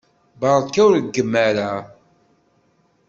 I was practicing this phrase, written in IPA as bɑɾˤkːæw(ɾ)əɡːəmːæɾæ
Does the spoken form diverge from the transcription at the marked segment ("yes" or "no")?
no